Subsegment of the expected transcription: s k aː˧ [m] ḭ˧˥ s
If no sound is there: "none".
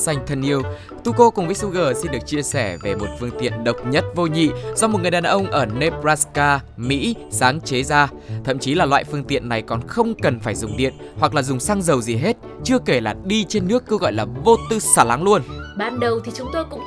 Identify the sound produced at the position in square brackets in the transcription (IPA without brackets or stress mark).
m